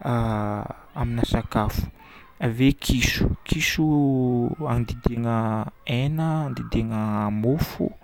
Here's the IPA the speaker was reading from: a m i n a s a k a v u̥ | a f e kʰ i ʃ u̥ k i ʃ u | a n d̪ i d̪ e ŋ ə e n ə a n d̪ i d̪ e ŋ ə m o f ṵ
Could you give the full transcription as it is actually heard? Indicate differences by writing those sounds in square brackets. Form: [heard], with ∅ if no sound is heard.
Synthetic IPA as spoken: a m i n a s a k a [f] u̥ | a [v] e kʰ i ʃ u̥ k i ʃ u | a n d̪ i d̪ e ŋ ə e n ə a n d̪ i d̪ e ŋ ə m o f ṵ

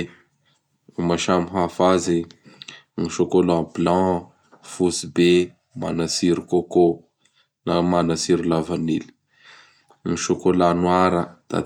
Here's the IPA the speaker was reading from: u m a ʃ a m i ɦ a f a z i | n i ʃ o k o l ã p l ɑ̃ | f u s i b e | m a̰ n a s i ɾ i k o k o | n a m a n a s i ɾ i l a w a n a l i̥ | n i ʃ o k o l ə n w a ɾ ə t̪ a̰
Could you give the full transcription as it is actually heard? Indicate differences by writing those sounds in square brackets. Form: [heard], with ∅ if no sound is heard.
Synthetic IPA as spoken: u m a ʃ a m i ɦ a f a z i | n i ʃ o k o l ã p l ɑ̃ | f u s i b e | m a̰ n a s i ɾ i k o k o | n a m a n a s i ɾ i l a [v] a n [i] l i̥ | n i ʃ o k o l [a] n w a ɾ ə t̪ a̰

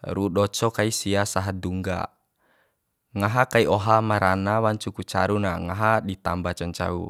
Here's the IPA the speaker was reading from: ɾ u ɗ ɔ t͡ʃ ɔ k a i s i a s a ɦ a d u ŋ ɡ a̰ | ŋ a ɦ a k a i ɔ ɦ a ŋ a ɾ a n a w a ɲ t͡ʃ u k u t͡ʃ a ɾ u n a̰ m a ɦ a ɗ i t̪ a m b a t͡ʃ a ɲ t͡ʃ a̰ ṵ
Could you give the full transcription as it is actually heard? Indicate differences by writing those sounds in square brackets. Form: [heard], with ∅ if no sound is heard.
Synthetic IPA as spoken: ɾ u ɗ ɔ t͡ʃ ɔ k a i s i a s a ɦ a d u ŋ ɡ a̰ | ŋ a ɦ a k a i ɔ ɦ a [m] a ɾ a n a w a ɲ t͡ʃ u k u t͡ʃ a ɾ u n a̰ [ŋ] a ɦ a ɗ i t̪ a m b a t͡ʃ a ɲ t͡ʃ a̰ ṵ

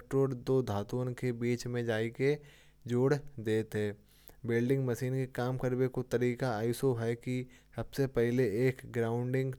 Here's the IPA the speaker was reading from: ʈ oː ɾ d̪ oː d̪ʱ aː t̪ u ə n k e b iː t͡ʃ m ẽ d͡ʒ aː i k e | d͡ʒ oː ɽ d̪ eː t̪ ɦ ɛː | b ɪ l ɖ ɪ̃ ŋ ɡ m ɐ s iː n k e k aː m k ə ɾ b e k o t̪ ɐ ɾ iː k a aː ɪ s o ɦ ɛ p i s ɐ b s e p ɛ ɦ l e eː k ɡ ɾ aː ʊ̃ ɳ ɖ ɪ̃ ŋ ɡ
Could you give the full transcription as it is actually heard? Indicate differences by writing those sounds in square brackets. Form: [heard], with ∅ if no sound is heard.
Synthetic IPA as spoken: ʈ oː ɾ d̪ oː d̪ʱ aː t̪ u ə n k e b iː t͡ʃ m ẽ d͡ʒ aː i k e | d͡ʒ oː ɽ d̪ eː t̪ ɦ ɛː | b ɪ l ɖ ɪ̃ ŋ ɡ m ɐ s iː n k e k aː m k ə ɾ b e k o t̪ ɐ ɾ iː k a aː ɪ s o ɦ ɛ [k] i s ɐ b s e p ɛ ɦ l e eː k ɡ ɾ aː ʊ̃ ɳ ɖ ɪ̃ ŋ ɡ

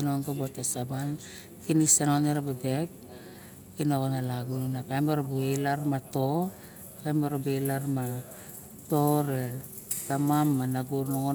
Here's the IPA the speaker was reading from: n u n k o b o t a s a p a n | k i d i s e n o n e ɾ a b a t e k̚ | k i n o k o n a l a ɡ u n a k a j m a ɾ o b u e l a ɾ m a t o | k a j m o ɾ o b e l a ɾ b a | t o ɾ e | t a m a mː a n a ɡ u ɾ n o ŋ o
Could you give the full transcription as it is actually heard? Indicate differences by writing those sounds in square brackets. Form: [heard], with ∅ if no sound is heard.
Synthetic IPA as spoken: n [o] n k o b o t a s a [b] a n | k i [n] i s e n o n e ɾ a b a [d] e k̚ | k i n o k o n a l a ɡ u n a k a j m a ɾ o b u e l a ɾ m a t o | k a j m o ɾ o b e l a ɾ [m] a | t o ɾ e | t a m a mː a n a ɡ u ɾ n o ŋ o

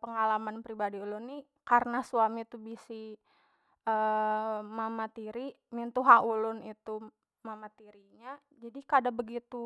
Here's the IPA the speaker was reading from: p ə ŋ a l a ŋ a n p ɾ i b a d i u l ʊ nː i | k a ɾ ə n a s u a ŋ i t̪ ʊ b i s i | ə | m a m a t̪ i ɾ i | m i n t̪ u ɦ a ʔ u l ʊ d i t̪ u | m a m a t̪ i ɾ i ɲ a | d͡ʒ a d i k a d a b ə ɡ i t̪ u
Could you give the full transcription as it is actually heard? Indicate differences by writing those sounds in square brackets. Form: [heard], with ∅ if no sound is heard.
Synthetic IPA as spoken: p ə ŋ a l a [m] a n p ɾ i b a d i u l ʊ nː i | k a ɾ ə n a s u a [m] i t̪ [u] b i s i | ə | m a m a t̪ i ɾ i | m i n t̪ u ɦ a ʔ u l ʊ [n] i t̪ u | m a m a t̪ i ɾ i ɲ a | d͡ʒ a d i k a d a b ə ɡ i t̪ u

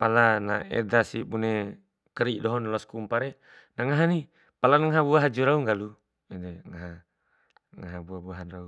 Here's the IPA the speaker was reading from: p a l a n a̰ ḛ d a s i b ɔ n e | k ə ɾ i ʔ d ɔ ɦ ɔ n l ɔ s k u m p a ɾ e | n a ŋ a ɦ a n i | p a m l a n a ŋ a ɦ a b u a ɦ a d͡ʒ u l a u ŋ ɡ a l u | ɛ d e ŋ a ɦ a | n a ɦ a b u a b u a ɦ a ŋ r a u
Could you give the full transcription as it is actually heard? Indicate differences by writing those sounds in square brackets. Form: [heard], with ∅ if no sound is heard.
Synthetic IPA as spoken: p a l a n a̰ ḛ d a s i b [u] n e | k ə ɾ i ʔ d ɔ ɦ ɔ n l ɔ s k u m p a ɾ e | n a ŋ a ɦ a n i | p a [∅] l a n a ŋ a ɦ a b u a ɦ a d͡ʒ u [ɾ] a u ŋ ɡ a l u | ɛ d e ŋ a ɦ a | [ŋ] a ɦ a b u a b u a ɦ a [n] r a u

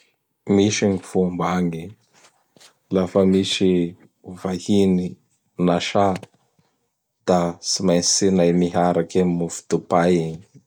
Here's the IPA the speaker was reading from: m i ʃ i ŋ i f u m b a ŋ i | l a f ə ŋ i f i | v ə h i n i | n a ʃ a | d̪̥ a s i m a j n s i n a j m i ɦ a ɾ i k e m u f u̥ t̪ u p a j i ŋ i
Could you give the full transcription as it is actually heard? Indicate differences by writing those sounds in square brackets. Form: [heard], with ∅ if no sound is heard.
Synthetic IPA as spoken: m i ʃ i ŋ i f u m b a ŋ i | l a f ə [m] i [ʃ] i | v [a] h i n i | n a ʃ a | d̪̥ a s i m a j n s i n a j m i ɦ a ɾ [a] k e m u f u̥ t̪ u p a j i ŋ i

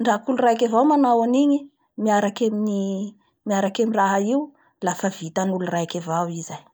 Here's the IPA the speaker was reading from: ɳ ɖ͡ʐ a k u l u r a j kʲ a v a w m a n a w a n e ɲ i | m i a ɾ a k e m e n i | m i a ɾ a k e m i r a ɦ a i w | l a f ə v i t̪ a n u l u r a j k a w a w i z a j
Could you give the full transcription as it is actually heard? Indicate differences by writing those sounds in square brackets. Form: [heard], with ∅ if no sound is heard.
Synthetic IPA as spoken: ɳ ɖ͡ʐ a k u l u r a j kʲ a v a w m a n a w a n [i] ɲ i | m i a ɾ a k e m [i] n i | m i a ɾ a k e m i r a ɦ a i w | l a f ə v i t̪ a n u l u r a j k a [v] a w i z a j

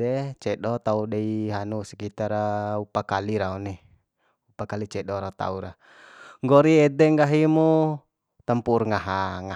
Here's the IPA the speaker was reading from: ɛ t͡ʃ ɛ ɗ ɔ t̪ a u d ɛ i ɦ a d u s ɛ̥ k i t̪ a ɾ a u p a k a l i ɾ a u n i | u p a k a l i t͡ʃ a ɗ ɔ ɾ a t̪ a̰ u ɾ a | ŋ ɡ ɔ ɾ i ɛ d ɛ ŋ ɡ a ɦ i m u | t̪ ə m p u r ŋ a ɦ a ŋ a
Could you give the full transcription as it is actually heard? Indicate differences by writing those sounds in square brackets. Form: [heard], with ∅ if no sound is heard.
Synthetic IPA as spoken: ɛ t͡ʃ ɛ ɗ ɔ t̪ a u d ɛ i ɦ a [n] u s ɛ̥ k i t̪ a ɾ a u p a k a l i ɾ a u n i | u p a k a l i t͡ʃ [ɛ] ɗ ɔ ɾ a t̪ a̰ u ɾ a | ŋ ɡ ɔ ɾ i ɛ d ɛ ŋ ɡ a ɦ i m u | t̪ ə m p u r ŋ a ɦ a ŋ a

